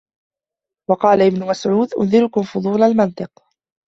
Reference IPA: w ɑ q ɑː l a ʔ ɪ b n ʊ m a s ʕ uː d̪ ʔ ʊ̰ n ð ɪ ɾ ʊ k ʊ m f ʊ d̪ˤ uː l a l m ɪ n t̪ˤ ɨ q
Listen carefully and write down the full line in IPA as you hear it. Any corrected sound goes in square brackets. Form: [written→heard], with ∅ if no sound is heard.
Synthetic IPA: w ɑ q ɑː l a ʔ ɪ b n ʊ m a s ʕ uː d̪ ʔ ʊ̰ n ð ɪ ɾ ʊ k ʊ m f ʊ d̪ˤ uː l a l m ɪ n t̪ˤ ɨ q